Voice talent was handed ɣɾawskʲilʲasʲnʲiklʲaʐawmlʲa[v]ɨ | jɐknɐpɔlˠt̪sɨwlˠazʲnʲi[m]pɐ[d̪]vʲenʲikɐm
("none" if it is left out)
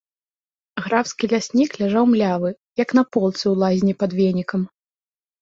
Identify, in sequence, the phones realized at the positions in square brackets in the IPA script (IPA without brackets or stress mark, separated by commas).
v, none, d̪